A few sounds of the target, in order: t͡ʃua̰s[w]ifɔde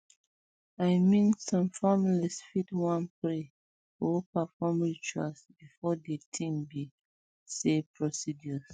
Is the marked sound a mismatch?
yes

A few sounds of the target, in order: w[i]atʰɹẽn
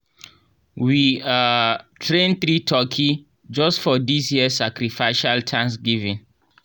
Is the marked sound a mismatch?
no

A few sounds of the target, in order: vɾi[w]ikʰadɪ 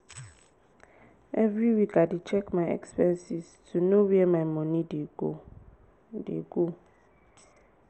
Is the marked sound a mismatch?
no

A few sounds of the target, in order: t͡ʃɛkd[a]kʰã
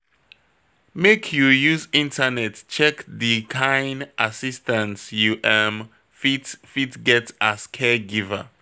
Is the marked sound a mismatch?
yes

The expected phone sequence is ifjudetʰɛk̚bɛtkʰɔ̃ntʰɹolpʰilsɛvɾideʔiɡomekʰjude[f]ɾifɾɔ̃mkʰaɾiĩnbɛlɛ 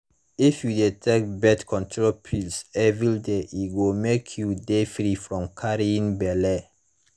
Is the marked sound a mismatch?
no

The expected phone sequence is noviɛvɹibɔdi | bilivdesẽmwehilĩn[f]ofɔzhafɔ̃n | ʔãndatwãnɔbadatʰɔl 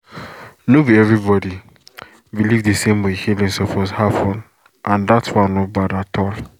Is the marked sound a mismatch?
yes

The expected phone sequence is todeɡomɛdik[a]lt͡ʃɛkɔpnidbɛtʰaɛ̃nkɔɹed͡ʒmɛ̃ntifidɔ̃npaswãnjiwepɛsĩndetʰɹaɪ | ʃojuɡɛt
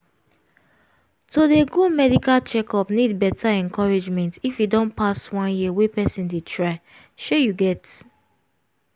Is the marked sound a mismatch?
no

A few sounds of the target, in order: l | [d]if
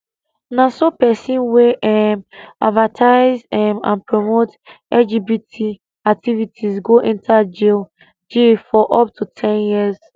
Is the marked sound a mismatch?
yes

